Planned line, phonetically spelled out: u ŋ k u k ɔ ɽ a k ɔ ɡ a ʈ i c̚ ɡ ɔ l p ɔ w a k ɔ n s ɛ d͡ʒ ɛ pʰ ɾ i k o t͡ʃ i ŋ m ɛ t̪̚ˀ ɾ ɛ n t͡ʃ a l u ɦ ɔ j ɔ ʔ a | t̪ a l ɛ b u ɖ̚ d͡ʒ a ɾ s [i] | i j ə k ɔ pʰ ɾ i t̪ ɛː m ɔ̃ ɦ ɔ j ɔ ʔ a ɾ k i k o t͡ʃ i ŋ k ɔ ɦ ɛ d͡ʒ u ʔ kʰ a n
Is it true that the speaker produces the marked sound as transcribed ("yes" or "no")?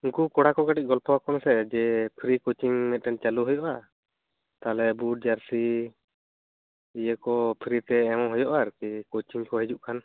yes